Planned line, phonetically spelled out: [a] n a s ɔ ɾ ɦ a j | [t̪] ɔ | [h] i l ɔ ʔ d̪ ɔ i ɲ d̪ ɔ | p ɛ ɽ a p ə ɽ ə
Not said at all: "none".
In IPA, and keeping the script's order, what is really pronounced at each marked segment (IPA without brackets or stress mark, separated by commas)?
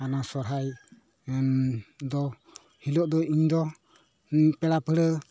a, d̪, h